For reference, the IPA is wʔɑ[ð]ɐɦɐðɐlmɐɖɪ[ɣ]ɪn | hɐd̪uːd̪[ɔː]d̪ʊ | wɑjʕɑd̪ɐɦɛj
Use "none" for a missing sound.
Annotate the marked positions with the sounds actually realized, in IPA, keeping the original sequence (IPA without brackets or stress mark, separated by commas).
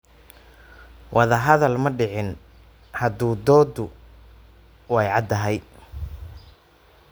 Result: ð, ʕ, ɔː